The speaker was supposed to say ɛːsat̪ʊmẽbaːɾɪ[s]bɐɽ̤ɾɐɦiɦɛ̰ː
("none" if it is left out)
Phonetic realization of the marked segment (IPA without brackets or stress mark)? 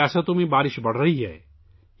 ʃ